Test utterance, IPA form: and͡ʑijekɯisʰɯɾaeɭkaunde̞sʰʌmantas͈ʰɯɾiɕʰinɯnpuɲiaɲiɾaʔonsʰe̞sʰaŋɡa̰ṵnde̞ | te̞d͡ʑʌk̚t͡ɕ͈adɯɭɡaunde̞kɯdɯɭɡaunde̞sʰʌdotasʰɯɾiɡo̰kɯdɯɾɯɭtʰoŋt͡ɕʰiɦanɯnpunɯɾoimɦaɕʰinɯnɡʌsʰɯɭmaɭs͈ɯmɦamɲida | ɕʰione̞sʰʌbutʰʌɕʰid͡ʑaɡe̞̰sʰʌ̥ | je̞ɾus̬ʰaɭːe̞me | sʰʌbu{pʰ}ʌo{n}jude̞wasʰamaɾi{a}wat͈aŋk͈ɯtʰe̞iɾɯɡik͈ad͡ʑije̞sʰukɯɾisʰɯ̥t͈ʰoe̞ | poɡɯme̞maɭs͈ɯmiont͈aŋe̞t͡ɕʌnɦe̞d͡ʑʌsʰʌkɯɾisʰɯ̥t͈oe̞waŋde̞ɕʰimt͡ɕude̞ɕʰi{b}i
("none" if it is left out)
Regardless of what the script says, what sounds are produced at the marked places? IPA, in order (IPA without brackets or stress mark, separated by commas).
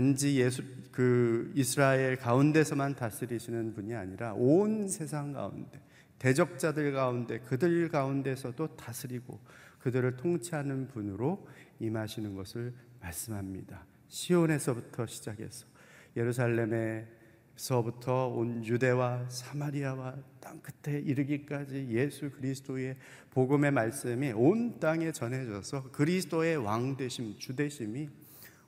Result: tʰ, n, a, m